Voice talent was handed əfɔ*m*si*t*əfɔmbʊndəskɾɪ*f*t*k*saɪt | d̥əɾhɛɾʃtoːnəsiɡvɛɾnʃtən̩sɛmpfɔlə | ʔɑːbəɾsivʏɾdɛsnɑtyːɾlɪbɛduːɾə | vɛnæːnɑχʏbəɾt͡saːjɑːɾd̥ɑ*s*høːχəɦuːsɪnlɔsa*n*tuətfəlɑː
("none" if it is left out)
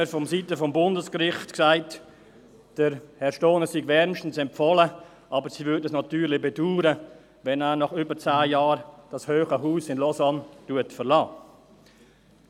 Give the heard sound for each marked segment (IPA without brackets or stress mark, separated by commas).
m, t, χ, k, s, n